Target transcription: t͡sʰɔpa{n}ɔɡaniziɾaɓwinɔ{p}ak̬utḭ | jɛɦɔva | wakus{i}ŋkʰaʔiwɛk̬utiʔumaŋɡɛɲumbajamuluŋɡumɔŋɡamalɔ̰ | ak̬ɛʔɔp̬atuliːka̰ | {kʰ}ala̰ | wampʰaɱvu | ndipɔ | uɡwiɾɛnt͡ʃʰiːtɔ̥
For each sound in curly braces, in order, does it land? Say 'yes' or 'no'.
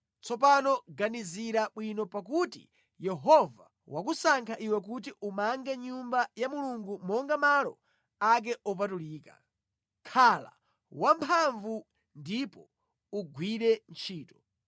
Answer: yes, yes, no, yes

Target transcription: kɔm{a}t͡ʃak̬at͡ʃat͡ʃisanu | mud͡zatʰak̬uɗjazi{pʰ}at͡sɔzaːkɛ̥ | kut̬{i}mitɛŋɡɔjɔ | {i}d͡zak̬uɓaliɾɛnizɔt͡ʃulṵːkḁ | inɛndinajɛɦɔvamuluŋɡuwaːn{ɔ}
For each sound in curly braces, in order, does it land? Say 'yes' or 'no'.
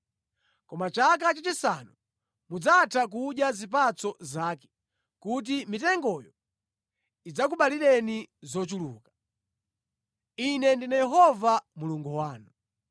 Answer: yes, no, yes, yes, no

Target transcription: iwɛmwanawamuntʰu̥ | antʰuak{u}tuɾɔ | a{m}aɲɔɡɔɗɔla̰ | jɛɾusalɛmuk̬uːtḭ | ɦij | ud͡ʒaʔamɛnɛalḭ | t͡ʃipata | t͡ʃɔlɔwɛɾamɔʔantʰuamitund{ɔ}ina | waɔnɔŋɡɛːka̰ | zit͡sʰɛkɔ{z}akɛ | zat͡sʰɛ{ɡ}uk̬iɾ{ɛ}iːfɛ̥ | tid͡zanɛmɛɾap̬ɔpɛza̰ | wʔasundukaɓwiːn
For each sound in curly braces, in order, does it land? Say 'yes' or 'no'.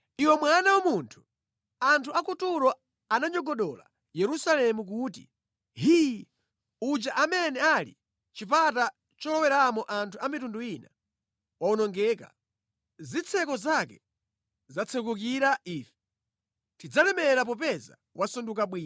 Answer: yes, no, no, yes, no, no

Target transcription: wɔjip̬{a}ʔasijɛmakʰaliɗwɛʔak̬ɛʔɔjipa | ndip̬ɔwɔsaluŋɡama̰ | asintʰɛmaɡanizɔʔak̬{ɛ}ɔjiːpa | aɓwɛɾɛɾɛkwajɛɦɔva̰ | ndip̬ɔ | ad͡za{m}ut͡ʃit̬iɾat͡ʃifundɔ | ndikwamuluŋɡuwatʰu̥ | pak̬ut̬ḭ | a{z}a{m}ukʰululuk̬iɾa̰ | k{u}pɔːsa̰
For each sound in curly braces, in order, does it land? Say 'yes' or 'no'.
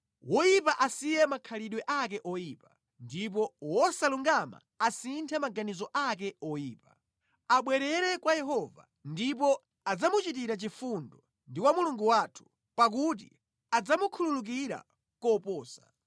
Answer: yes, yes, yes, no, yes, no

